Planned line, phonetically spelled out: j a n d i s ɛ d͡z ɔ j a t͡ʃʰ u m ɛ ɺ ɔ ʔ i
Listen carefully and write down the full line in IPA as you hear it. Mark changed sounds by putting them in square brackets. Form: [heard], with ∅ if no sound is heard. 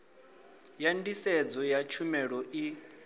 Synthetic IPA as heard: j a n d i s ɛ d͡z ɔ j a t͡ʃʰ u m ɛ ɺ ɔ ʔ i